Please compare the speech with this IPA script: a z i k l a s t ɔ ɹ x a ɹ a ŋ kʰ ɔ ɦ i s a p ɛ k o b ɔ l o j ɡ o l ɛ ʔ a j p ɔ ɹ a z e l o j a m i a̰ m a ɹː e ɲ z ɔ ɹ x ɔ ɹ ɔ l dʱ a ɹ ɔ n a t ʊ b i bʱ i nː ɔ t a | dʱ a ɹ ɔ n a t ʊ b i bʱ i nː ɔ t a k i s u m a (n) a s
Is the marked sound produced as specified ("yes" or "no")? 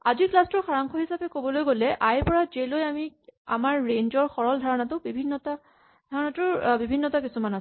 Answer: yes